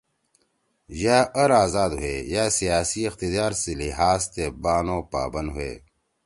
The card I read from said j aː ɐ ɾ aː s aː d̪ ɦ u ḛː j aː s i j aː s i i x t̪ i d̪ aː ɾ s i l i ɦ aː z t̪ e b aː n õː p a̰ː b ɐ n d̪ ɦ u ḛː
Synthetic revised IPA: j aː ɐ ɾ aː z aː d̪ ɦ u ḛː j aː s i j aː s i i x t̪ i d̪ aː ɾ s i l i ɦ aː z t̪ e b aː n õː p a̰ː b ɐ n d̪ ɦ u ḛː